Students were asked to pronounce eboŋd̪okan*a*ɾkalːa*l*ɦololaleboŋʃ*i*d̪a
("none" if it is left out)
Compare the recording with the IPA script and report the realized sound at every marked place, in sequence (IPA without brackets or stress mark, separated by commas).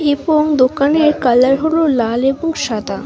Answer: e, ɾ, a